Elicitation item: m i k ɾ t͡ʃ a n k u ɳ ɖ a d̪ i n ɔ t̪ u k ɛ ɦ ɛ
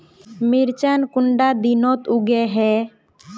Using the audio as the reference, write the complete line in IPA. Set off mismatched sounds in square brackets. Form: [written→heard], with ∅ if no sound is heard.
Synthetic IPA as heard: m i [k→∅] ɾ t͡ʃ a n k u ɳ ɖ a d̪ i n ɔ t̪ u [k→ɡ] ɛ ɦ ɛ